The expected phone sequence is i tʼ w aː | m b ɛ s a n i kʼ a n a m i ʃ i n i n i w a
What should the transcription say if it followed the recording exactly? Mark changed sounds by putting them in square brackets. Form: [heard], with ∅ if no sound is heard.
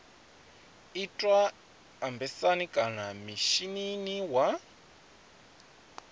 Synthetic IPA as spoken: i tʼ w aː | m b ɛ s a n i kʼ a n a m i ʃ i n i n i w a

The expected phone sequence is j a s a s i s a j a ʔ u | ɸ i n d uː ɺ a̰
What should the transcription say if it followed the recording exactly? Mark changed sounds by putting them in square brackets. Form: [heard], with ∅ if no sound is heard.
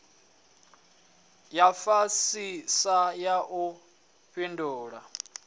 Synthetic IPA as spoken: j a [f] a s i s a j a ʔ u | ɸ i n d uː ɺ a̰

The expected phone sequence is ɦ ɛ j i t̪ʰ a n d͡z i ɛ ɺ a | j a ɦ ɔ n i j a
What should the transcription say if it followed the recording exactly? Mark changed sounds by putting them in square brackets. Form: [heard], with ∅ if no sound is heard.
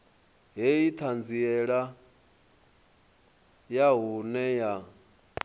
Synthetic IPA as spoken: ɦ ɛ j i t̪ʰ a n d͡z i ɛ ɺ a | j a ɦ [u] n [ɛ] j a

